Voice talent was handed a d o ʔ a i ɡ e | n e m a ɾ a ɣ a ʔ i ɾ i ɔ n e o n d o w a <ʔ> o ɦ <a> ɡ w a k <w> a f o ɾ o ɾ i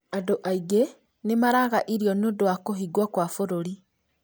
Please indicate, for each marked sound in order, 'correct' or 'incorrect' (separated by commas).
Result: incorrect, incorrect, correct